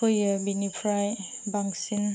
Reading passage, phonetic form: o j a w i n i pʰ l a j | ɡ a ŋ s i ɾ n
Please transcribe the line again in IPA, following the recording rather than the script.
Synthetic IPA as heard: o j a b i n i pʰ ɾ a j | b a ŋ s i n